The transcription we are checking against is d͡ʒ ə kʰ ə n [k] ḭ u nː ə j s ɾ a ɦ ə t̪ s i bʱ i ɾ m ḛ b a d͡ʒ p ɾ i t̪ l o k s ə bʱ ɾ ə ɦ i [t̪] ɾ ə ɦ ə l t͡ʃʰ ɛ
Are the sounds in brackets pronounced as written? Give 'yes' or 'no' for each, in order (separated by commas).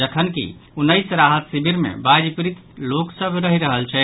yes, no